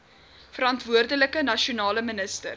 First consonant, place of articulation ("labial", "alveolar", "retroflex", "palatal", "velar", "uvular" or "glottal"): labial